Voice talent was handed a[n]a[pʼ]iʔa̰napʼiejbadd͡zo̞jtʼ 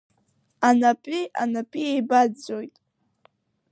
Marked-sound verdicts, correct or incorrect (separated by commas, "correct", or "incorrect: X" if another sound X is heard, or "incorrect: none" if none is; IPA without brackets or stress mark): correct, correct